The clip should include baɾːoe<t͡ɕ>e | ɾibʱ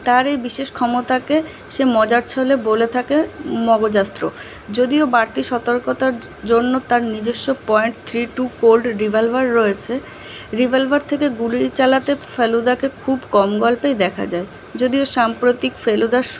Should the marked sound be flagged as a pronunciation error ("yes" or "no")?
yes